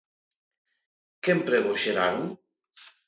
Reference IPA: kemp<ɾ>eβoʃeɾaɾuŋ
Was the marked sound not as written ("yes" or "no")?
no